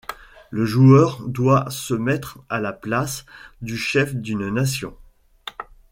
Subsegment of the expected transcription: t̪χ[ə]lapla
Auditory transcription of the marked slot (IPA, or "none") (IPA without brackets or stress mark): a